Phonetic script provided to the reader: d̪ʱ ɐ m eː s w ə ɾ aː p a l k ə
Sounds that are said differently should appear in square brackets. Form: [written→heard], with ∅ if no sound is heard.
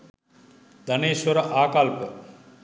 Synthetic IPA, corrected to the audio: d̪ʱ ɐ [m→n] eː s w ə ɾ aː [p→k] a l [k→p] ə